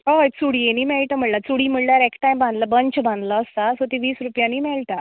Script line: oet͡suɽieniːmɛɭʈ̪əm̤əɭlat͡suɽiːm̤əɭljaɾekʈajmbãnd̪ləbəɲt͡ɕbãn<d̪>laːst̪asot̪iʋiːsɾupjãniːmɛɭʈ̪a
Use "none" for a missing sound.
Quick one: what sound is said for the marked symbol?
d̪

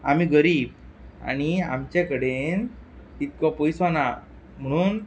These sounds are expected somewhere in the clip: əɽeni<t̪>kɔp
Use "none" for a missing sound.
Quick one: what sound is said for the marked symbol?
t̪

